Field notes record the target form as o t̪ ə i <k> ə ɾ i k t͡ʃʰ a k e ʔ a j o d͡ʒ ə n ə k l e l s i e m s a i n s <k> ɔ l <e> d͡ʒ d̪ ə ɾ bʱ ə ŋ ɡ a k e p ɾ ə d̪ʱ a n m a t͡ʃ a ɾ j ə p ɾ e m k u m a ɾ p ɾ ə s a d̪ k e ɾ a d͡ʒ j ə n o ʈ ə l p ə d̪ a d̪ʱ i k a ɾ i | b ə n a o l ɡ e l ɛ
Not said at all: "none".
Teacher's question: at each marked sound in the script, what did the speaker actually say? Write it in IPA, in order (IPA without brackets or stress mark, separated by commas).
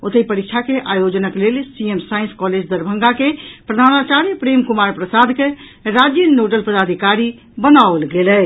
p, k, e